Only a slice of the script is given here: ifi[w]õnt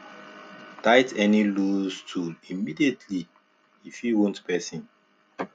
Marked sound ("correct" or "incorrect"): correct